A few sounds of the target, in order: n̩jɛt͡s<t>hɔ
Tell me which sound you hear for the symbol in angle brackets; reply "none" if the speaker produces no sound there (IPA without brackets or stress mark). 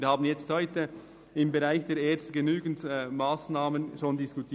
t